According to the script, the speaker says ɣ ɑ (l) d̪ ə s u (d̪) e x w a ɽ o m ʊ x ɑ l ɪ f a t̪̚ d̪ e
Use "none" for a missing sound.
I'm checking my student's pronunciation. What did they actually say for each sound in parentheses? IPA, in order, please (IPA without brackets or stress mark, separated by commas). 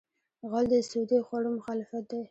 l, d̪